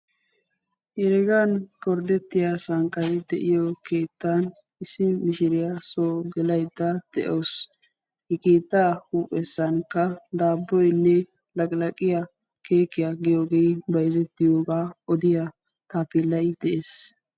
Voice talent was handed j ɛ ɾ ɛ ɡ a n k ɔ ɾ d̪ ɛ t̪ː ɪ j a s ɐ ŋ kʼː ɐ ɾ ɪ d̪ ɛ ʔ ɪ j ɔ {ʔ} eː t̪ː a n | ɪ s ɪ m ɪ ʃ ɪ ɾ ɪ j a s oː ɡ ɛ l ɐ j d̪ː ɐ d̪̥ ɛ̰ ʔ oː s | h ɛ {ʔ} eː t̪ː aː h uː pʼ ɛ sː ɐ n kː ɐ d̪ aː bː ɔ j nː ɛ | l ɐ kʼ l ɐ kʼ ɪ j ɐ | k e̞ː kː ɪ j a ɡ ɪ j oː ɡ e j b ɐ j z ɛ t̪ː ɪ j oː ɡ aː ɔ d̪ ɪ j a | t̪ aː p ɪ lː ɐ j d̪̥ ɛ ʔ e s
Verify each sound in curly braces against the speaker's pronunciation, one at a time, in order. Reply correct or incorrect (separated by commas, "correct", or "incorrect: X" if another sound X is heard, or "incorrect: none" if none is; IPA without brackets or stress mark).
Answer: incorrect: k, incorrect: k